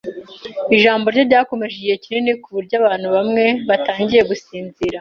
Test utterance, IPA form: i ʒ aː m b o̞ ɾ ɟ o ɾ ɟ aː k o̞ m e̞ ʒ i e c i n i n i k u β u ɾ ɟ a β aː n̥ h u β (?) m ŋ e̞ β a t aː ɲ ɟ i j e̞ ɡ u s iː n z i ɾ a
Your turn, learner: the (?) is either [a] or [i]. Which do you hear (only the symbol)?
a